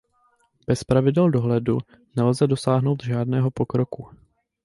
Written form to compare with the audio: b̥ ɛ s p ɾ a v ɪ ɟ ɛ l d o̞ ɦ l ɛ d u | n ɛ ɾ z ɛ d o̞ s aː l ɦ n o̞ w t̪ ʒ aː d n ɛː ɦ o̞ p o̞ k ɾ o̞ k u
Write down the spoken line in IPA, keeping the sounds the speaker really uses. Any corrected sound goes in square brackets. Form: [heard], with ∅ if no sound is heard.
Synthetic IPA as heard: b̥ ɛ s p ɾ a v ɪ [d] ɛ l d o̞ ɦ l ɛ d u | n ɛ [l] z ɛ d o̞ s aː [∅] ɦ n o̞ w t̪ ʒ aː d n ɛː ɦ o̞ p o̞ k ɾ o̞ k u

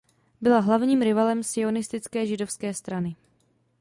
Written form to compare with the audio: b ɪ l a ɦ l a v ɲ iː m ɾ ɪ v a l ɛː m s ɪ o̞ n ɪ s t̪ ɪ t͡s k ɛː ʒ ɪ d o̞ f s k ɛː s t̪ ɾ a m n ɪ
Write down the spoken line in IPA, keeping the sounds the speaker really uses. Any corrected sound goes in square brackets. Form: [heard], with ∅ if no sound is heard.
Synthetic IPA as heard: b ɪ l a ɦ l a v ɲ iː m ɾ ɪ v a l [ɛ] m s ɪ o̞ n ɪ s t̪ ɪ t͡s k ɛː ʒ ɪ d o̞ f s k ɛː s t̪ ɾ a [∅] n ɪ

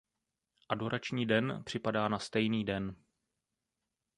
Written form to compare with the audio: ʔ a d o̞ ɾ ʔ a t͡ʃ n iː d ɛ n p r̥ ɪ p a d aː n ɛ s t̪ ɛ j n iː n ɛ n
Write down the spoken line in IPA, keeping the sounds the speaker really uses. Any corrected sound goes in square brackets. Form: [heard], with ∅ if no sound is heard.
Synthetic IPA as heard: ʔ a d o̞ ɾ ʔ a t͡ʃ [ɲ] iː d ɛ n p r̥ ɪ p a d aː n [a] s t̪ ɛ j n iː [d] ɛ n

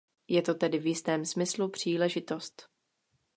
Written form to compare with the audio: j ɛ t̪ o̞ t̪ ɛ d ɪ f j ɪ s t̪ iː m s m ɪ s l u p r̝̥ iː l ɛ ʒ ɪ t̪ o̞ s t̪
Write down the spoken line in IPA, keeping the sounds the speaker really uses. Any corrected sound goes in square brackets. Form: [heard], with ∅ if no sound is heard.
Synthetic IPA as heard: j ɛ t̪ o̞ t̪ ɛ d ɪ [v] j ɪ s t̪ [ɛː] m s m ɪ s l u p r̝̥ iː l ɛ ʒ ɪ t̪ o̞ s t̪

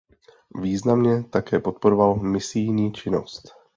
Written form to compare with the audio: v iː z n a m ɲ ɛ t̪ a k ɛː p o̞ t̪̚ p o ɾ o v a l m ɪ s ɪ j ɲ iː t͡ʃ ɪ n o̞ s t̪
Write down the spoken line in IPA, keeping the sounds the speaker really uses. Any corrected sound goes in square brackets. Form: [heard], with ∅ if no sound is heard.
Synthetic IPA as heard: v iː z n a m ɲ ɛ t̪ a k ɛː p o̞ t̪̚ p o ɾ o v a l m ɪ s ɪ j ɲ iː t͡ʃ ɪ n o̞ s t̪

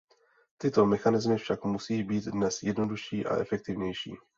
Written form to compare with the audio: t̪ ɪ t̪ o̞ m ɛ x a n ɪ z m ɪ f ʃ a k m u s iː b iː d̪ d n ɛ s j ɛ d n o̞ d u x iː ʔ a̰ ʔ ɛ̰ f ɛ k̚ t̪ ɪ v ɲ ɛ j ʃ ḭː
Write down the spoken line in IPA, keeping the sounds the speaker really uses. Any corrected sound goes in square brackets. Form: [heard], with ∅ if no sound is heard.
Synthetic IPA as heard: t̪ ɪ t̪ o̞ m ɛ x a n ɪ z m ɪ f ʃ a k m u s iː b iː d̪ d n ɛ s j ɛ d n o̞ d u [ʃ] iː ʔ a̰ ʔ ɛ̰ f ɛ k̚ t̪ ɪ v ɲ ɛ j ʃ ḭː

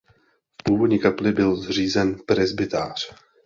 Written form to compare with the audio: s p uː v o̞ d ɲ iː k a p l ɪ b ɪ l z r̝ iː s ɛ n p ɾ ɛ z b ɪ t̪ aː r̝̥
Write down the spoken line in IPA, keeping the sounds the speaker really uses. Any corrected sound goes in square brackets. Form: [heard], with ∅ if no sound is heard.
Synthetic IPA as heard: [f] p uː v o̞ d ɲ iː k a p l ɪ b ɪ l z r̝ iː [z] ɛ n p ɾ ɛ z b ɪ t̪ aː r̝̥

